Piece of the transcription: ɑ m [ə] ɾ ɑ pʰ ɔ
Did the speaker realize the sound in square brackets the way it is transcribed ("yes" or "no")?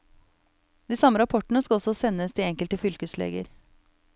yes